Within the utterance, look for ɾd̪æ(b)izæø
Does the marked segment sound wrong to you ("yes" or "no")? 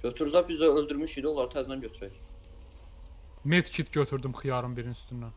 no